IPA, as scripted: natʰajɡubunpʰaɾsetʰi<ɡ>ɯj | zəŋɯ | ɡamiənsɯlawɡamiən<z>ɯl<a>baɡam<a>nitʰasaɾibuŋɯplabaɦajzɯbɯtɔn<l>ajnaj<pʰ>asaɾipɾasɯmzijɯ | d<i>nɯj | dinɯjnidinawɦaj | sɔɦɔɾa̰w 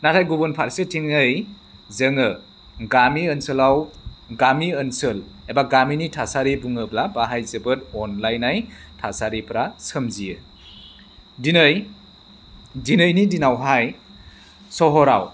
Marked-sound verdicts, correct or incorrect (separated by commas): incorrect, incorrect, incorrect, incorrect, correct, incorrect, correct